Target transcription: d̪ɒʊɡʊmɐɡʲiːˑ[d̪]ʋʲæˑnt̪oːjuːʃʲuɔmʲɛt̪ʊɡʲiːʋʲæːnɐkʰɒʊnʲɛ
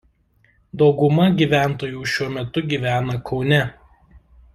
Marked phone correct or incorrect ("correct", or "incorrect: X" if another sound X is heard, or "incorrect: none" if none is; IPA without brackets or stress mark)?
incorrect: none